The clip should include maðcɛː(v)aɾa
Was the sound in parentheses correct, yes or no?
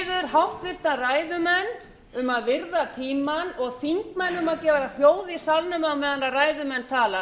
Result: yes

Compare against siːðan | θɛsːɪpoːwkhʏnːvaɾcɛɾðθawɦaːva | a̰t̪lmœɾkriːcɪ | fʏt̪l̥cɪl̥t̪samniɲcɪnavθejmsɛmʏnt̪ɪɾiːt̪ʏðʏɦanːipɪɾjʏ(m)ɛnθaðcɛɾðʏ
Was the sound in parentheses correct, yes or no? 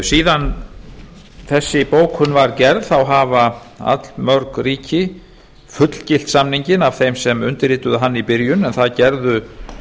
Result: no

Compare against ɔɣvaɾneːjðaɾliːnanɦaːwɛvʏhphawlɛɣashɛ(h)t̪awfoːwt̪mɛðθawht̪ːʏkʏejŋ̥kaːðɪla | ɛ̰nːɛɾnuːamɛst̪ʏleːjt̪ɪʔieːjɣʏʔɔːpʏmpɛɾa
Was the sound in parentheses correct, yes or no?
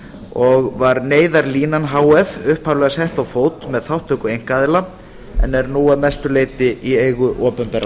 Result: yes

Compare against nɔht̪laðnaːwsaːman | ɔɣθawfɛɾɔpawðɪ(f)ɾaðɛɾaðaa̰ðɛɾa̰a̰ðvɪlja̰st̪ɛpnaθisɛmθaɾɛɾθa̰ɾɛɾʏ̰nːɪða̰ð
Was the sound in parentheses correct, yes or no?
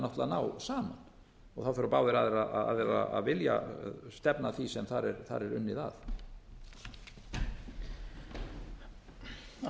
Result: no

